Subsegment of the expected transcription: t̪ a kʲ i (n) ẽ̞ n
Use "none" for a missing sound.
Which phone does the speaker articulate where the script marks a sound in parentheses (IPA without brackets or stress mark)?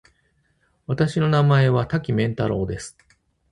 m